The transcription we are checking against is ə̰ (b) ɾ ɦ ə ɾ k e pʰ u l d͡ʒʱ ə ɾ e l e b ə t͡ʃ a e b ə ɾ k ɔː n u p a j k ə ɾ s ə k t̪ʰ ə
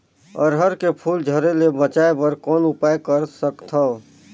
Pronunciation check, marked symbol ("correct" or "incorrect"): incorrect